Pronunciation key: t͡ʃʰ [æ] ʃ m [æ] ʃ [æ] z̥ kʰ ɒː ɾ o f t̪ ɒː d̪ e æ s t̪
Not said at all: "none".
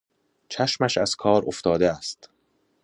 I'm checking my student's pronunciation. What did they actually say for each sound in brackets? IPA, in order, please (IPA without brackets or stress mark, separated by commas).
æ, æ, æ